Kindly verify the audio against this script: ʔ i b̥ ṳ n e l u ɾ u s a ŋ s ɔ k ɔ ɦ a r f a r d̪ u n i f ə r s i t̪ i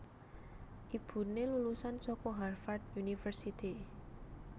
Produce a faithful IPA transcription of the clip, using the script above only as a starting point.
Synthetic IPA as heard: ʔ i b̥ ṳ n e l u l u s a n s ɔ k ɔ ɦ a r f a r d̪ u n i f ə r s i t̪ i